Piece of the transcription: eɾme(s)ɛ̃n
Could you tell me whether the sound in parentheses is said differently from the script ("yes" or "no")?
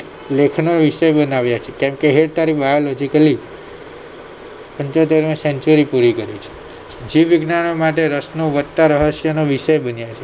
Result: no